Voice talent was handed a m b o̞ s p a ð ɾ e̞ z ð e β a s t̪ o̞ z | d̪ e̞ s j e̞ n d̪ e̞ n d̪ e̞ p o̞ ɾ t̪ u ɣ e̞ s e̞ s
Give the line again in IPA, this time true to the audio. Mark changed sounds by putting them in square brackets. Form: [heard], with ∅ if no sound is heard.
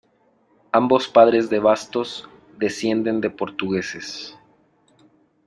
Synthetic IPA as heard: a m b o̞ s p a ð ɾ e̞ z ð e β a s t̪ o̞ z | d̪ e̞ s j e̞ n d̪ e̞ n d̪ e̞ p o̞ ɾ t̪ u ɣ e̞ s e̞ s